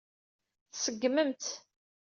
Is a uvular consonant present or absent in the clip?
absent